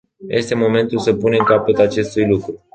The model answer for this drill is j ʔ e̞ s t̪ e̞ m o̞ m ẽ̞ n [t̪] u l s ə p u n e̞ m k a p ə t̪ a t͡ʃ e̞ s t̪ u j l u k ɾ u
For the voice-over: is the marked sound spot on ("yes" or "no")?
yes